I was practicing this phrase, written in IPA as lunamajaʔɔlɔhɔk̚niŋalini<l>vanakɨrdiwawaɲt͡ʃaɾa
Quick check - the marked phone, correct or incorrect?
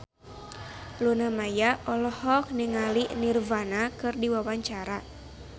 incorrect